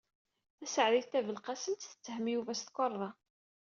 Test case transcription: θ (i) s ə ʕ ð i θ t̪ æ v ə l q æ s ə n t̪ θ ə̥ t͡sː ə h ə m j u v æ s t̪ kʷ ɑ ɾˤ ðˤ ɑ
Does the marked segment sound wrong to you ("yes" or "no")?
yes